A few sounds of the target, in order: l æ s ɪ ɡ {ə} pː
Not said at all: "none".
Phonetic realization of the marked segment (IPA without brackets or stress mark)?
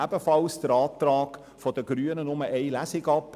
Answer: ɑ